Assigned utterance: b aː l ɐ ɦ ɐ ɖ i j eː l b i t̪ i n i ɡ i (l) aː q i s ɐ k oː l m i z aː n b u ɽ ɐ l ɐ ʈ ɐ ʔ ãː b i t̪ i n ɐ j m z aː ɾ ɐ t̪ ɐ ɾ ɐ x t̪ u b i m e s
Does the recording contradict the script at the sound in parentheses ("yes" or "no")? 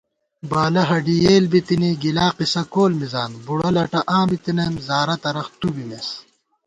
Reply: no